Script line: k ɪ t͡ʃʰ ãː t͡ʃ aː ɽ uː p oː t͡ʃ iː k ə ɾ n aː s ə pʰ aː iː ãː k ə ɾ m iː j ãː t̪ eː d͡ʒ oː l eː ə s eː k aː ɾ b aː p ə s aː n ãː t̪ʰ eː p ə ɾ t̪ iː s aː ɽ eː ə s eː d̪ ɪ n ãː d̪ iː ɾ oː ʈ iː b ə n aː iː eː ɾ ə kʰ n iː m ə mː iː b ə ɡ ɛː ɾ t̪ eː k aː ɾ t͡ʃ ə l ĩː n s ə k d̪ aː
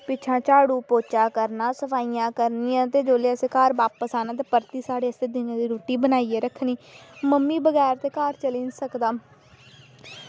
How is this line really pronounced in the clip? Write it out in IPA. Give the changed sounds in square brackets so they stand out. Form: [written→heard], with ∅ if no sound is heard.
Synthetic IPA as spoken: [k→p] ɪ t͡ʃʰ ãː t͡ʃ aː ɽ uː p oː t͡ʃ [iː→aː] k ə ɾ n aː s ə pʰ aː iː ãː k ə ɾ [m→n] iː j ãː t̪ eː d͡ʒ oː l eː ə s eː k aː ɾ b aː p ə s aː n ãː [t̪ʰ→t̪] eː p ə ɾ t̪ iː s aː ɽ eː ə s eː d̪ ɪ n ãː d̪ iː ɾ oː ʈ iː b ə n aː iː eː ɾ ə kʰ n iː m ə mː iː b ə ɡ ɛː ɾ t̪ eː k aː ɾ t͡ʃ ə l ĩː n s ə k d̪ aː